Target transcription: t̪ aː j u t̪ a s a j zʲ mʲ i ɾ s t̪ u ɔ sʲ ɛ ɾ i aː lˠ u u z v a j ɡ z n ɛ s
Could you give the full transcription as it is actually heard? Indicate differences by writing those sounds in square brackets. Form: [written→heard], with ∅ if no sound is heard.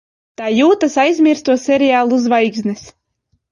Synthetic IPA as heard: t̪ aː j [u→uː] t̪ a s a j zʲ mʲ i ɾ s t̪ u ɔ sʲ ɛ ɾ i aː lˠ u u z v a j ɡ z n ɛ s